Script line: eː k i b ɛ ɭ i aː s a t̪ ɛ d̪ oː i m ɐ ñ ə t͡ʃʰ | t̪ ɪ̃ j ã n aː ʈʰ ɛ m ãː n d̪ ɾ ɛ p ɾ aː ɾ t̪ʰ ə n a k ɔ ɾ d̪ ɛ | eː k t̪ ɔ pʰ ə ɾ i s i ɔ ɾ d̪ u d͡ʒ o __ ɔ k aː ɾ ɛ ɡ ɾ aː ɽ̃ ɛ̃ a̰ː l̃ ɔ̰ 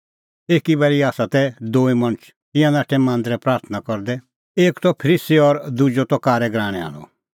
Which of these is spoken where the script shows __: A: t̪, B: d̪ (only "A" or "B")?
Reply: A